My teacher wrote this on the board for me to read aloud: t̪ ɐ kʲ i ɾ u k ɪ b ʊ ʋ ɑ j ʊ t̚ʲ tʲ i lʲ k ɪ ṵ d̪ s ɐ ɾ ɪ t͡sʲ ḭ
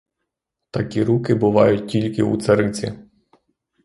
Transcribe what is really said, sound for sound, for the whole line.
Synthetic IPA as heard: t̪ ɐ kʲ i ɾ u k ɪ b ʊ ʋ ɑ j ʊ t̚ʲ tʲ i lʲ k ɪ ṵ t̪ s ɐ ɾ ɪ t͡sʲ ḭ

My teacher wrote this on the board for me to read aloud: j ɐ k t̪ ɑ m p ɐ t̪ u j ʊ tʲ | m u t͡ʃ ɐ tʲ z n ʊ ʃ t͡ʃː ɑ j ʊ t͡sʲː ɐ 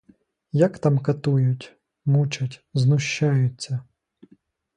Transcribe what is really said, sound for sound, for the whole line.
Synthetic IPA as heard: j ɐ k t̪ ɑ m k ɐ t̪ u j ʊ tʲ | m u t͡ʃ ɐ tʲ z n ʊ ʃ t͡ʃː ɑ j ʊ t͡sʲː ɐ

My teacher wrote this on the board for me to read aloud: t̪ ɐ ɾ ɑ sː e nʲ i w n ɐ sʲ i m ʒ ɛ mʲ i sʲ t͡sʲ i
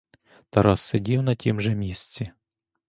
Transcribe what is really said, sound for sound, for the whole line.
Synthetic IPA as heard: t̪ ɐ ɾ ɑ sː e dʲ i w n ɐ tʲ i m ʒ ɛ mʲ i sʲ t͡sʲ i

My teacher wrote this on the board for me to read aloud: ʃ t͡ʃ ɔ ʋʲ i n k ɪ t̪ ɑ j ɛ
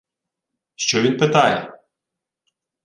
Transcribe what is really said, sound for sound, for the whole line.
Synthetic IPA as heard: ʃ t͡ʃ ɔ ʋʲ i n p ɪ t̪ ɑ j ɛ

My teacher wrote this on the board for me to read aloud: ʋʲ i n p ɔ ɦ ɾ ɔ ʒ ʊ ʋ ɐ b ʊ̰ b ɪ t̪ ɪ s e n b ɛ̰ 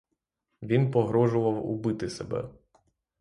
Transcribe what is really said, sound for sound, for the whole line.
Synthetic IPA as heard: ʋʲ i n p ɔ ɦ ɾ ɔ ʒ ʊ ʋ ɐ w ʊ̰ b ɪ t̪ ɪ s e b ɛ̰

